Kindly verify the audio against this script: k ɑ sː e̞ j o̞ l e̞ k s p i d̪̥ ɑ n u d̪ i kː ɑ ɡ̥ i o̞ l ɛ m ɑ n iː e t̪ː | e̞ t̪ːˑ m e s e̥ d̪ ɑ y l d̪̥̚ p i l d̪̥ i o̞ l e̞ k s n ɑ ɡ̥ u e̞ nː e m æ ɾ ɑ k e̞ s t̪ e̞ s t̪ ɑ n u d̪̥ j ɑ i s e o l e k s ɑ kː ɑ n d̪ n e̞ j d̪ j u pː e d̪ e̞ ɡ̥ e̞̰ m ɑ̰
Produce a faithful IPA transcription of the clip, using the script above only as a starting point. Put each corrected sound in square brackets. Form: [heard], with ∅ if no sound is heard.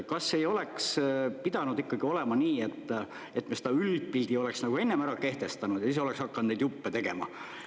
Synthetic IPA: k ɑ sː e̞ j o̞ l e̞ k s p i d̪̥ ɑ n u d̪ i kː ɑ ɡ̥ i o̞ l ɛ m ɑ n iː e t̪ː | e̞ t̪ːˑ m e s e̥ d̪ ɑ y l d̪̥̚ p i l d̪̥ i o̞ l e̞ k s n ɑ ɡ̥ u e̞ nː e m æ ɾ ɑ k e̞ [h] t̪ e̞ s t̪ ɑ n u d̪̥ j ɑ i s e o l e k s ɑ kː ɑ n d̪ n e̞ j d̪ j u pː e [t̪] e̞ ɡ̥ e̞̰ m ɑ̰